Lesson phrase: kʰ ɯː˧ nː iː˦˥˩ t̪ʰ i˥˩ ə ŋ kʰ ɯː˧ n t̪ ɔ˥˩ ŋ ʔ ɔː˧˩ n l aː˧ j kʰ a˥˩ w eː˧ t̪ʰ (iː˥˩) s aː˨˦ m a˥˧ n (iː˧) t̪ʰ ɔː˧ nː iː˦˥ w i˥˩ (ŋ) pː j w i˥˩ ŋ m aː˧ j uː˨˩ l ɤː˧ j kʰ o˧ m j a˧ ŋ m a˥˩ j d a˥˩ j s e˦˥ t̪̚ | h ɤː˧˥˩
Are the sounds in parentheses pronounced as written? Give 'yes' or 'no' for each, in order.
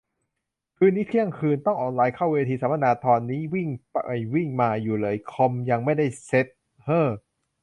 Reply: no, no, yes

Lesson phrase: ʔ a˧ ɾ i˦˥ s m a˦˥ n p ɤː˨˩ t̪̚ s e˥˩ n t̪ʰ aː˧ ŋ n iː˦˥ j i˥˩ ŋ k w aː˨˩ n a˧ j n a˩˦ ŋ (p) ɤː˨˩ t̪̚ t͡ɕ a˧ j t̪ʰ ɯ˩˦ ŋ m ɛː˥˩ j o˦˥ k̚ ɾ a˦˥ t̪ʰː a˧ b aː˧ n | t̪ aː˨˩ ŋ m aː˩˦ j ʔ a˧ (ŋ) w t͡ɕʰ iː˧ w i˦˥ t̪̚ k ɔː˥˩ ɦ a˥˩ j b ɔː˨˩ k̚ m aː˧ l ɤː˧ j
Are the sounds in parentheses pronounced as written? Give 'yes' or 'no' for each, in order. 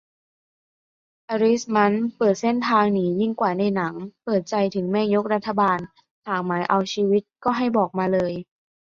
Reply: yes, no

